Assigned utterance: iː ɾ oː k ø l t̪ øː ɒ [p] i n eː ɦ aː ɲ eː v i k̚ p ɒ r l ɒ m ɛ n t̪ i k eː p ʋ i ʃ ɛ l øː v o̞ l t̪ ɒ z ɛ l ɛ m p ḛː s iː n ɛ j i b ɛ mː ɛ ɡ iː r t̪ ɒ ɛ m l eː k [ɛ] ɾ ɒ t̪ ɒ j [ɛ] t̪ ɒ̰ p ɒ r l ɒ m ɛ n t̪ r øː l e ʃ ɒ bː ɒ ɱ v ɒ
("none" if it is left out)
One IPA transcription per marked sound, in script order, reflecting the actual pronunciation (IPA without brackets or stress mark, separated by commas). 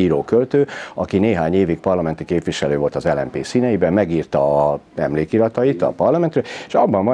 k, i, i